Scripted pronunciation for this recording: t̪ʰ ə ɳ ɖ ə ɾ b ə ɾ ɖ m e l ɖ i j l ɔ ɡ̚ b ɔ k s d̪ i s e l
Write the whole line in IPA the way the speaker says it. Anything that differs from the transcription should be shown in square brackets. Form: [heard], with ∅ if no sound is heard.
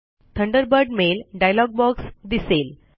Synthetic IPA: t̪ʰ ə ɳ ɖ ə ɾ b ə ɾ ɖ m e l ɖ [a] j l ɔ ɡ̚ b ɔ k s d̪ i s e l